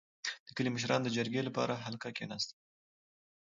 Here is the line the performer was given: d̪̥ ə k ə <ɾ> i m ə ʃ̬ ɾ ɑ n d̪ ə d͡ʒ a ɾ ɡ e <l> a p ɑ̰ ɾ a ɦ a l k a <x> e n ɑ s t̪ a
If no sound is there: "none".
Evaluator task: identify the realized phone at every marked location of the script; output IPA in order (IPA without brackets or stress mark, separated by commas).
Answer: l, l, k